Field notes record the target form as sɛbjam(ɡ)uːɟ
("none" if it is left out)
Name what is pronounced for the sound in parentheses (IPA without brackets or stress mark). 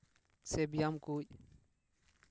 k